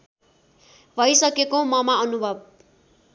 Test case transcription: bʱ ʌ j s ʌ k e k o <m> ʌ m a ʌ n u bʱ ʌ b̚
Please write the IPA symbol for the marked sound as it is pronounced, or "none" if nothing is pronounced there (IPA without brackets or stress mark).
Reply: m